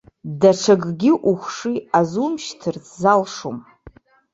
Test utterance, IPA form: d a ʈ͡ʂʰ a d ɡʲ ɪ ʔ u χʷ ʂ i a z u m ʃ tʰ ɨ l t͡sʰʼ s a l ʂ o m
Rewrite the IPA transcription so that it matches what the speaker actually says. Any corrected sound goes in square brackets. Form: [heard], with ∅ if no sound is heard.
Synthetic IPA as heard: d a ʈ͡ʂʰ a [ɡ] ɡʲ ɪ ʔ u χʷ ʂ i a z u m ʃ tʰ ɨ [r] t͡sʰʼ [z] a l ʂ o m

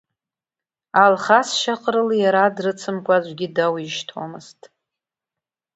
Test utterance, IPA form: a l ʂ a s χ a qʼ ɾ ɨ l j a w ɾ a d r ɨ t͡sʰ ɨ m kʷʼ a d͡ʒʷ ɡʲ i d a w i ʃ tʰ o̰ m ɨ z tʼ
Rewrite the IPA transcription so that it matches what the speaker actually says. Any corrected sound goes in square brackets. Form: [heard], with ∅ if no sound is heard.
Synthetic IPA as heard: a l [χ] a s [ʃ] a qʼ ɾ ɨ l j a [∅] ɾ a d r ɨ t͡sʰ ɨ m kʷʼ a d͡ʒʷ ɡʲ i d a w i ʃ tʰ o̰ m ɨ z tʼ

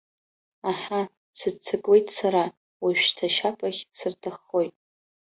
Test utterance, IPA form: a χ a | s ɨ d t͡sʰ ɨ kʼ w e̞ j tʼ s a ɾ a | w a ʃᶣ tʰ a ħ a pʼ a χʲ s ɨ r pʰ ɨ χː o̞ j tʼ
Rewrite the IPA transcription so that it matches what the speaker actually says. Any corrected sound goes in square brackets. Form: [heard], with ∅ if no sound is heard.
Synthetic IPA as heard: a [ħ] a | s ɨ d t͡sʰ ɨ kʼ w e̞ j tʼ s a ɾ a | w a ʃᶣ tʰ a [ʃ] a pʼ a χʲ s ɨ r [tʰ] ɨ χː o̞ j tʼ

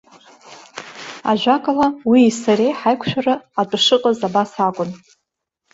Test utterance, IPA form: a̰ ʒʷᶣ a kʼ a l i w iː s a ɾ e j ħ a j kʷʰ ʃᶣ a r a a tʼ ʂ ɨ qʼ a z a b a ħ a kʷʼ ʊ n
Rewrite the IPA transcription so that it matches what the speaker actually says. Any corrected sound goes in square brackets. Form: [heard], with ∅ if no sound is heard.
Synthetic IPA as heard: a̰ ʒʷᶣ a kʼ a l [a] w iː s a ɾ e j ħ a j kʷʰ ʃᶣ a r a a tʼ ʂ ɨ qʼ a z a b a [s] a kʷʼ ʊ n

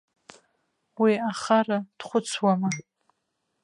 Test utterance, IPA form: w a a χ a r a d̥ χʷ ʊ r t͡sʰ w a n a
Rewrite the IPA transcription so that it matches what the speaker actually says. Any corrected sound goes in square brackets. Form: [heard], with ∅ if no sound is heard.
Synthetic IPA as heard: w [i] a χ a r a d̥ χʷ ʊ [∅] t͡sʰ w a [m] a

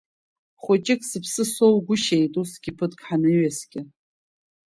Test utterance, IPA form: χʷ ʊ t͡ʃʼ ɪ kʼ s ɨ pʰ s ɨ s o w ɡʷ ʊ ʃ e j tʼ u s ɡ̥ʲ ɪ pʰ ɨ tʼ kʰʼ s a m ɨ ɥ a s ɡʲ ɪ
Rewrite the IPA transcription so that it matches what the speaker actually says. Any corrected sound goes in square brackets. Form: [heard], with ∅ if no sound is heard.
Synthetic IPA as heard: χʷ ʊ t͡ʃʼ ɪ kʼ s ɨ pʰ s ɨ s o w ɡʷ ʊ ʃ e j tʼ u s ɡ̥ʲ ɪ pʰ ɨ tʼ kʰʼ [ħ] a [n] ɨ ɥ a s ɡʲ ɪ

